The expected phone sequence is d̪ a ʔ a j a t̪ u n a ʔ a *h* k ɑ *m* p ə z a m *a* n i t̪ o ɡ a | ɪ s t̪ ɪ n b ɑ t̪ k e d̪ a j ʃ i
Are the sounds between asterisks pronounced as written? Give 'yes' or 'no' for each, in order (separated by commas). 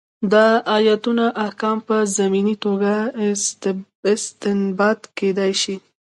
yes, yes, no